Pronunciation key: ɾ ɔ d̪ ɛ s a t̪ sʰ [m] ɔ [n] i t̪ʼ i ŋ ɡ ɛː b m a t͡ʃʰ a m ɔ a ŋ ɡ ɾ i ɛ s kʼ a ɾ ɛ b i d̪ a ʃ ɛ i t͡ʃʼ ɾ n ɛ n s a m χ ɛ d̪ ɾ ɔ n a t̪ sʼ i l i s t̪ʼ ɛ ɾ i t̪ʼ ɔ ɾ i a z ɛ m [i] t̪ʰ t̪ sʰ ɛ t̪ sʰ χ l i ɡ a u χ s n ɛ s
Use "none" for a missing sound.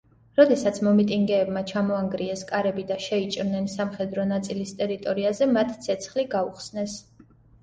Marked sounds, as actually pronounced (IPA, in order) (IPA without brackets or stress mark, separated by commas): m, m, a